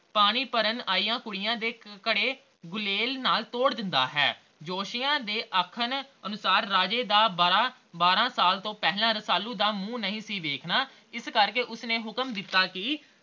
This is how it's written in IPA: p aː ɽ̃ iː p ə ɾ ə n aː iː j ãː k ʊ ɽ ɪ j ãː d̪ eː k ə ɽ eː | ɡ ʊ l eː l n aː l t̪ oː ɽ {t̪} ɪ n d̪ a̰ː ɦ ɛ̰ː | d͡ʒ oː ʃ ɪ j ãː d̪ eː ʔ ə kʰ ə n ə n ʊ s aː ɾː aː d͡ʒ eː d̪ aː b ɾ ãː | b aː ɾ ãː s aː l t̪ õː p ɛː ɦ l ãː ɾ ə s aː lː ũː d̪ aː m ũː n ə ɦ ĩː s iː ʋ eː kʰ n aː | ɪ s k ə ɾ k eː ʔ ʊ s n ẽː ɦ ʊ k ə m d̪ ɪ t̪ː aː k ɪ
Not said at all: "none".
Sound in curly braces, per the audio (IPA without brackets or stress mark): d̪